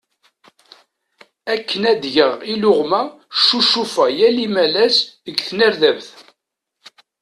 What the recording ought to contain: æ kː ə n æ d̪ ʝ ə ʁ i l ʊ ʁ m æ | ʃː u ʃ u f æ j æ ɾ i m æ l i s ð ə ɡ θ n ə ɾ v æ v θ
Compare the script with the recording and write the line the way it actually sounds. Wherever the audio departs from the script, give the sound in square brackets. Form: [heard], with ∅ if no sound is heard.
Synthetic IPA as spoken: æ kː ə n æ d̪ ʝ ə ʁ i l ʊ ʁ m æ | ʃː u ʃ u f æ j æ [l] i m æ l [æ] s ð ə ɡ θ n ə ɾ [ð] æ v θ